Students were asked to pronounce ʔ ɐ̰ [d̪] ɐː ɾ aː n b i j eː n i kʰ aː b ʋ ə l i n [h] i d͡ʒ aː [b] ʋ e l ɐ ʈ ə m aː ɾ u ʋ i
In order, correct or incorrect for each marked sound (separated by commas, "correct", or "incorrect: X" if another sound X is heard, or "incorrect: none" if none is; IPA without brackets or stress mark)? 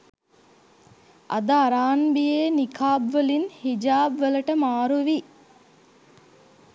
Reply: correct, correct, correct